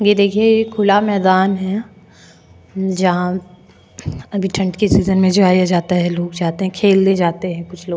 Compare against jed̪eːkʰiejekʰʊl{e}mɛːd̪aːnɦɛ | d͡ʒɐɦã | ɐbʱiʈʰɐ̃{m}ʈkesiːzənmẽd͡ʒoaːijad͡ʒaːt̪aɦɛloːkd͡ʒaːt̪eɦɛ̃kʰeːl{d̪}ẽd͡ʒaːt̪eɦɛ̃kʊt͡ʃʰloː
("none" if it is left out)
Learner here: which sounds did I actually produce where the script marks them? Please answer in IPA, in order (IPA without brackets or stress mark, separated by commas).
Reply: a, ɳ, d̪